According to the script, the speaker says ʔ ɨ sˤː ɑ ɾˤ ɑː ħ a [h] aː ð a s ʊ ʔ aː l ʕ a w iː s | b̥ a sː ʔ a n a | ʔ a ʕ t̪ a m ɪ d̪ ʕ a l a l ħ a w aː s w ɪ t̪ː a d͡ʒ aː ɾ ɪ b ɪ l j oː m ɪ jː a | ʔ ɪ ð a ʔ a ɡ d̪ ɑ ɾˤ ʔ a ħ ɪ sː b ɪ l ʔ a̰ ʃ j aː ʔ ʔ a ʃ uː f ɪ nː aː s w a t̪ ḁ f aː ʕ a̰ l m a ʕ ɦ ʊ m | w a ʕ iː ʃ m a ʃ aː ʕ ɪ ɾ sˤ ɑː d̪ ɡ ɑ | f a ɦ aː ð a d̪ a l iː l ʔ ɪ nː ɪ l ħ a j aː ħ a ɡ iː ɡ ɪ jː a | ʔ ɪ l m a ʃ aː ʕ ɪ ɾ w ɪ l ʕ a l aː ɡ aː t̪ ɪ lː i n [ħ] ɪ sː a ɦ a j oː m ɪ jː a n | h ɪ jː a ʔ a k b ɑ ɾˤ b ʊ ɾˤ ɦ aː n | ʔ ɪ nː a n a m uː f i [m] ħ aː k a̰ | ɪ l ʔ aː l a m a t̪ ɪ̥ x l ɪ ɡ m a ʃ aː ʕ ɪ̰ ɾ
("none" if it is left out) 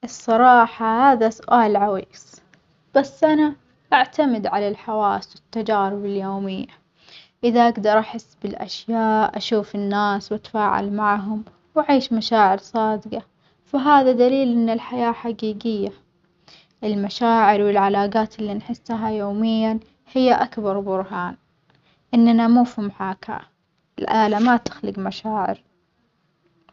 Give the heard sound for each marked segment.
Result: h, ħ, m

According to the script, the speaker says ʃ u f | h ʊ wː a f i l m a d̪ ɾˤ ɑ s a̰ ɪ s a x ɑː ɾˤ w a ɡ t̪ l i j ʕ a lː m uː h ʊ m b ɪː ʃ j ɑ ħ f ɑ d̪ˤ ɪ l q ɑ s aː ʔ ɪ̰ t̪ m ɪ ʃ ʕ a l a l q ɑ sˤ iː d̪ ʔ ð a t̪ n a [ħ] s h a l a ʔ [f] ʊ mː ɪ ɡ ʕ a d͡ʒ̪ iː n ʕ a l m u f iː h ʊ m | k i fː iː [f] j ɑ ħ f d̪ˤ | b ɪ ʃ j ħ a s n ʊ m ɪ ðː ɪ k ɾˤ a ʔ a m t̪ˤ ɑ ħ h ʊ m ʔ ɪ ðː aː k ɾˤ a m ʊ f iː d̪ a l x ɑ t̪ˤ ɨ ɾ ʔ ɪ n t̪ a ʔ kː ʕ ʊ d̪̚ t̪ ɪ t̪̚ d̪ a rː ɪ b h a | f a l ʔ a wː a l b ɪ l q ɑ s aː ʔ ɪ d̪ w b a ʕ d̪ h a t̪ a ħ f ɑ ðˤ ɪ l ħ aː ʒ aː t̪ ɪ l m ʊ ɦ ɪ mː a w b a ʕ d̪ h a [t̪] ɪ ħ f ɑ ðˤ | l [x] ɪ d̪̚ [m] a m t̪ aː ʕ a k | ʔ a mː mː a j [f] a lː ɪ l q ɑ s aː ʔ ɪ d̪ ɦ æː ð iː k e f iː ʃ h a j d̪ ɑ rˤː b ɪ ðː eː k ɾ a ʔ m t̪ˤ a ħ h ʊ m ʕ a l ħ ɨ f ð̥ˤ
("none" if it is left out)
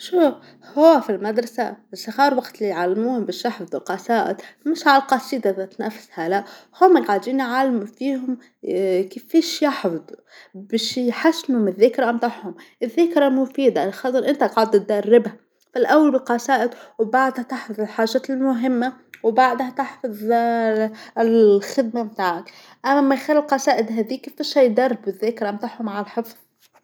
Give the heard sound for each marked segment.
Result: f, h, ʃ, t̪, x, m, x

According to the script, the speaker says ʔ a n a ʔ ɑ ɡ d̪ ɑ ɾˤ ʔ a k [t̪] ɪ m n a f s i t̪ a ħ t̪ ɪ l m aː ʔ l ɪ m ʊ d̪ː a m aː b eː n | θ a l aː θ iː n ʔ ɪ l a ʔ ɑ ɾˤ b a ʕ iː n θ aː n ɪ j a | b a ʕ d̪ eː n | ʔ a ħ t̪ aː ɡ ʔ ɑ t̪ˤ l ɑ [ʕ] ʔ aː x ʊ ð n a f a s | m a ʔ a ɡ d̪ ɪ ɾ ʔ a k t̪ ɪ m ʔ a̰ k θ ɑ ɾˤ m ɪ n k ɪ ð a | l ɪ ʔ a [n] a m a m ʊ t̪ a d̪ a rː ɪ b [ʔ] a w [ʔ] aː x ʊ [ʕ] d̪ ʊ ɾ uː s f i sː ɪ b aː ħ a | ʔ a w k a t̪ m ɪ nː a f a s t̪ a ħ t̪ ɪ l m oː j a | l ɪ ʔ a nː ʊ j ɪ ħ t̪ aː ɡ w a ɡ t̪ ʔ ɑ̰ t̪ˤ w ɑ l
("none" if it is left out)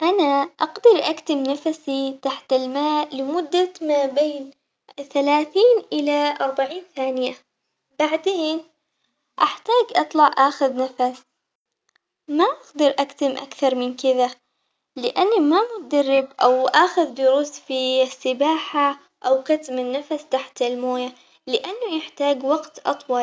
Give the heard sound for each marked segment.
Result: t̪, ʕ, nː, ʔ, ʔ, ð

